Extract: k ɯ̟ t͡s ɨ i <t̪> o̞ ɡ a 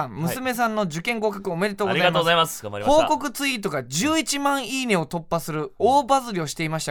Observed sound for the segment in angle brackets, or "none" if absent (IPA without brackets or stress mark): t̪